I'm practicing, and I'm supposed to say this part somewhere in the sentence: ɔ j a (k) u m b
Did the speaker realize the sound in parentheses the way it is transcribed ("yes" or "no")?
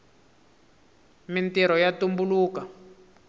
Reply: no